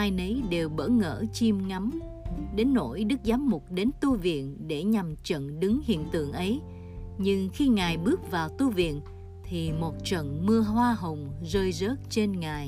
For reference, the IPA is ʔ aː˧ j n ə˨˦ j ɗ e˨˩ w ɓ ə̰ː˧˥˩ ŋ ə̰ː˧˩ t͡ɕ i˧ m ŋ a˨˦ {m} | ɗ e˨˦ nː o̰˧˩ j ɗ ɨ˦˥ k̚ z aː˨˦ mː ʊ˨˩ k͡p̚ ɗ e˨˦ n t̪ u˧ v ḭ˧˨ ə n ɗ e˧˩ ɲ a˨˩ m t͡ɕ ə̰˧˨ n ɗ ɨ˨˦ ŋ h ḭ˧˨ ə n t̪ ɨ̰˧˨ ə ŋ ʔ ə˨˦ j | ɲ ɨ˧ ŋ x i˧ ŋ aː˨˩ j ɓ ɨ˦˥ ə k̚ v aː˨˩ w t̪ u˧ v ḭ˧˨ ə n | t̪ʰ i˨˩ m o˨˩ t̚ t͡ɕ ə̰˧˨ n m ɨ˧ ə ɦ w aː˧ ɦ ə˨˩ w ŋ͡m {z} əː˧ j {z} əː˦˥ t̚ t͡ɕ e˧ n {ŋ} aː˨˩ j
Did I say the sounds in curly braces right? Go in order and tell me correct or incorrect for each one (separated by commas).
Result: correct, correct, correct, correct